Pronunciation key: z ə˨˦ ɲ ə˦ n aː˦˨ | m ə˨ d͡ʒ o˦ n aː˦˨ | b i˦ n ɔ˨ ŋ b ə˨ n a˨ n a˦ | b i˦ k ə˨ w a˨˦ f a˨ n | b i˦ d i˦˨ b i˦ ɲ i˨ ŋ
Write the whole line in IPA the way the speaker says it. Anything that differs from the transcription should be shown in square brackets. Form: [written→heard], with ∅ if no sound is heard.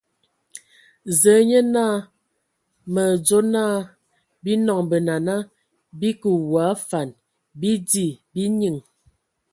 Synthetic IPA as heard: z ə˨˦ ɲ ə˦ n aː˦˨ | m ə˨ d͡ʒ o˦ n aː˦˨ | b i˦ n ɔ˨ ŋ b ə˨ n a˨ n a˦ | b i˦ k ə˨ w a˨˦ f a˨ n | b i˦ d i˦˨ b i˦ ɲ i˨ ŋ